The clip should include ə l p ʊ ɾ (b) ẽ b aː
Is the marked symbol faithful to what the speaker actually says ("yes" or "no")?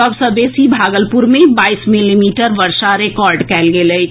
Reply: no